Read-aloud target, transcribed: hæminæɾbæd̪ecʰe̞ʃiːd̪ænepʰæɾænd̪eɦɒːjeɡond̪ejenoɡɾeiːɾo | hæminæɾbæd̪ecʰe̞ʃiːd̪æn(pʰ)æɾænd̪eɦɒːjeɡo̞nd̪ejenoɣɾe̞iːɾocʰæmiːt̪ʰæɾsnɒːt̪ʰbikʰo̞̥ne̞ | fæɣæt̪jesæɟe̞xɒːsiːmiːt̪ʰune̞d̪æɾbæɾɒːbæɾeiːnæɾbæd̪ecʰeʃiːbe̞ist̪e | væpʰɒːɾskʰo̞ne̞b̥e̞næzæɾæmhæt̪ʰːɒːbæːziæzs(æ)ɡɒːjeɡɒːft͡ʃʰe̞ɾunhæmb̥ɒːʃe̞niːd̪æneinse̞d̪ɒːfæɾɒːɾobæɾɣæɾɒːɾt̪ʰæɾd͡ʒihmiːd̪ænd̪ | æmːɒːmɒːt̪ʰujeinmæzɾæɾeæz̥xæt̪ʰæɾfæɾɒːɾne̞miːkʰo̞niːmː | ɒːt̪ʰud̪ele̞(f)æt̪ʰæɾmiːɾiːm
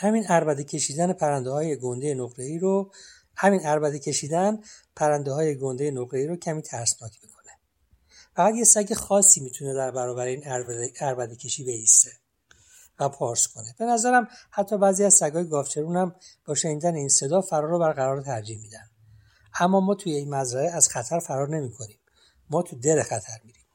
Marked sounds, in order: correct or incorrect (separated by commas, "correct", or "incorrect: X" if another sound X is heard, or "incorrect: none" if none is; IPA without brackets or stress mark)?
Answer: correct, correct, incorrect: x